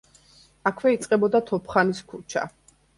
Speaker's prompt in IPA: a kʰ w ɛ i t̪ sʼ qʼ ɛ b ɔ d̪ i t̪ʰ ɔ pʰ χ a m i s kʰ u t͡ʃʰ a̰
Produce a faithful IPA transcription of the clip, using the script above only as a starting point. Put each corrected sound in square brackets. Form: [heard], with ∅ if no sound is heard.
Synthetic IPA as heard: a kʰ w ɛ i t̪ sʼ qʼ ɛ b ɔ d̪ [a] t̪ʰ ɔ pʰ χ a [n] i s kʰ u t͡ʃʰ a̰